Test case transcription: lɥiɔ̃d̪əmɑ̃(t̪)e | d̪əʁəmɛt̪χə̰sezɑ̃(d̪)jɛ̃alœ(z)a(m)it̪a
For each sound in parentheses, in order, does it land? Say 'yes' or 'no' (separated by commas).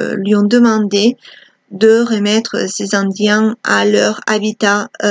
no, yes, no, no